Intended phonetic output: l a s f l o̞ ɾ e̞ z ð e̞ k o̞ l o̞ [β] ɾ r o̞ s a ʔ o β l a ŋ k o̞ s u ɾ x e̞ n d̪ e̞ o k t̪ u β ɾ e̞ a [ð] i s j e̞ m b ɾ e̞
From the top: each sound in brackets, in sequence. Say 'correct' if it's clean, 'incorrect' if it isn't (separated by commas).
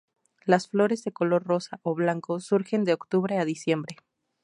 incorrect, correct